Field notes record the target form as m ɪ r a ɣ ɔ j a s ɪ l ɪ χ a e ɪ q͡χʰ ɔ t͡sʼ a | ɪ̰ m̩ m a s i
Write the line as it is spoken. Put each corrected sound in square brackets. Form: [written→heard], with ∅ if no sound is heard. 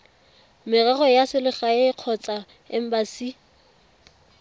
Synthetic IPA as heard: m ɪ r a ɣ ɔ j a s ɪ l ɪ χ a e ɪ q͡χʰ ɔ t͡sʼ a | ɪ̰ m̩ [m→b] a s i